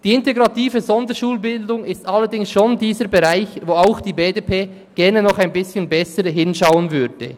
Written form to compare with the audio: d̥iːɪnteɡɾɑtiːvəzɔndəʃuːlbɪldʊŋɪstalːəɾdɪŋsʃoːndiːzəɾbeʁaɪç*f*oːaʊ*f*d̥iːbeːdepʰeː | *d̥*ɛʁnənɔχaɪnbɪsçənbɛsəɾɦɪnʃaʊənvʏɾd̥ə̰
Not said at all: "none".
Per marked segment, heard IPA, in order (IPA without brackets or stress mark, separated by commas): v, x, ɡ̥